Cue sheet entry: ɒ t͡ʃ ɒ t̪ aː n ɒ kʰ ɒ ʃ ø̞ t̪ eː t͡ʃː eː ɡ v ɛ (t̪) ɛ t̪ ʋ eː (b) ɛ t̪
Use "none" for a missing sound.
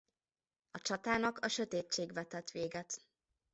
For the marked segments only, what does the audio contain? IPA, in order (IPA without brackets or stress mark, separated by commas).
t̪, ɡ